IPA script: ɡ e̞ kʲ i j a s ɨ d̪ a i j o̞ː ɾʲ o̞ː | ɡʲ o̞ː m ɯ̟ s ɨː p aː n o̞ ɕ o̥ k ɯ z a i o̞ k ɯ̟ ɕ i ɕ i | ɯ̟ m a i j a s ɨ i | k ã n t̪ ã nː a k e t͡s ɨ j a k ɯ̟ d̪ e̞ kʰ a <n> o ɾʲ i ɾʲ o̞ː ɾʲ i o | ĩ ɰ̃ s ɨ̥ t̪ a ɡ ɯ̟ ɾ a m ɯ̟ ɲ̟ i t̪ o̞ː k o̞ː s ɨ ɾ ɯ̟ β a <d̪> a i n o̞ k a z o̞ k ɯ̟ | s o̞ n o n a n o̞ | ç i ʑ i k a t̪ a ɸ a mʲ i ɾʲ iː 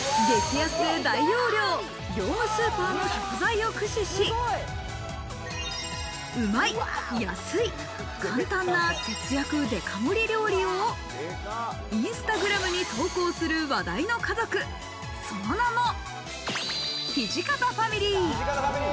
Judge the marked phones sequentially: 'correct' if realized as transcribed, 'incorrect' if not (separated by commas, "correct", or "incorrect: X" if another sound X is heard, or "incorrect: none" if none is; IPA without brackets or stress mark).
incorrect: m, correct